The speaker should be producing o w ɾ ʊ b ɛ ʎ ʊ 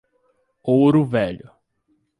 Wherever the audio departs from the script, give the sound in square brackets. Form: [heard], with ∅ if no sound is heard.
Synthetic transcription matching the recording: o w ɾ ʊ [v] ɛ ʎ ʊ